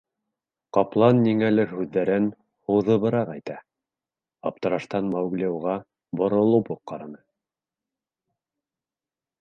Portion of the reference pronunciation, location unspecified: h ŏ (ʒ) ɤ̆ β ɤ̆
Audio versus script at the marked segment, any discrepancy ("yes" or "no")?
yes